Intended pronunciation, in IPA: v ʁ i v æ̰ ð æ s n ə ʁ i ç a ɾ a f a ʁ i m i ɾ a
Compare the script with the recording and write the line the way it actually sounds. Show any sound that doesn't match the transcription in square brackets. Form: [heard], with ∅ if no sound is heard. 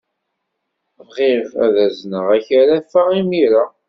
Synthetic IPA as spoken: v ʁ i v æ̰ ð æ [z] n ə ʁ [æ] ç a ɾ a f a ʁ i m i ɾ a